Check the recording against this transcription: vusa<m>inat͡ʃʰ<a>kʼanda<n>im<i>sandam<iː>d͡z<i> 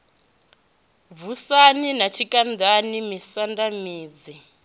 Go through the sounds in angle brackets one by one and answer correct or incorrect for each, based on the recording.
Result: incorrect: n, incorrect: i, correct, correct, correct, correct

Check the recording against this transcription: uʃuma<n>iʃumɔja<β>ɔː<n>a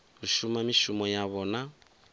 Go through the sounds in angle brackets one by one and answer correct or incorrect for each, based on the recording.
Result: incorrect: m, correct, correct

